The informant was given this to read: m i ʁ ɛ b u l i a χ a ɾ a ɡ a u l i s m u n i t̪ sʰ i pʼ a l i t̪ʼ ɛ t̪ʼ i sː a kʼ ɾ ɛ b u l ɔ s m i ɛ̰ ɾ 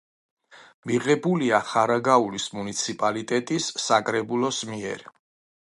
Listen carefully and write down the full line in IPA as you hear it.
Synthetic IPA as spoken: m i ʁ ɛ b u l i a χ a ɾ a ɡ a u l i s m u n i t̪ sʰ i pʼ a l i t̪ʼ ɛ t̪ʼ i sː a kʼ ɾ ɛ b u l ɔ s m i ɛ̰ ɾ